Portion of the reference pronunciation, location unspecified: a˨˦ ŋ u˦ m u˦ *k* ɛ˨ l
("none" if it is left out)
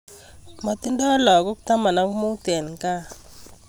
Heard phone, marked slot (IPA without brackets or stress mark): t